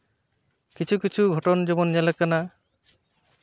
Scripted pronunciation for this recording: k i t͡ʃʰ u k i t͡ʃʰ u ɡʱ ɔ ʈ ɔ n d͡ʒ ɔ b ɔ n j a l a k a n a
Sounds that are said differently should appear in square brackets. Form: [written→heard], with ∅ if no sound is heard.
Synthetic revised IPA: k i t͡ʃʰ u k i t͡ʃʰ u ɡʱ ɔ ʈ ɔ n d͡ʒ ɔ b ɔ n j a l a k a n a